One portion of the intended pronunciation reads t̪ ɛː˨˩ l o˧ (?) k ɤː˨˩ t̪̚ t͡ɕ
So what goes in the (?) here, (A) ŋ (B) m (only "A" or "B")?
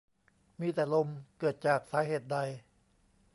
B